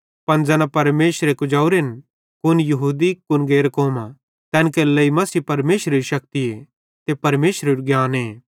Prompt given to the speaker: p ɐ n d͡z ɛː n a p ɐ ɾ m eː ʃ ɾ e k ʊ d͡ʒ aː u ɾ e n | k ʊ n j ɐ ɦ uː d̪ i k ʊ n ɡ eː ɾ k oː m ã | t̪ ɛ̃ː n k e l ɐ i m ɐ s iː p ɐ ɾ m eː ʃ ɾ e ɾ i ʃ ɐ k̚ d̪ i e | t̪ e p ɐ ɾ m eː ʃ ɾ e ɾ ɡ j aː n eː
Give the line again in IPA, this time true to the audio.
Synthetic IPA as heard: p ɐ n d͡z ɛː n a p ɐ ɾ m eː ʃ ɾ e k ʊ d͡ʒ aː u ɾ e n | k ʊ n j ɐ ɦ uː d̪ i k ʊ n ɡ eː ɾ k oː m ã | t̪ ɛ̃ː n k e l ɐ i m ɐ s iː p ɐ ɾ m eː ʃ ɾ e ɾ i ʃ ɐ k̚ t̪ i e | t̪ e p ɐ ɾ m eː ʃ ɾ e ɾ ɡ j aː n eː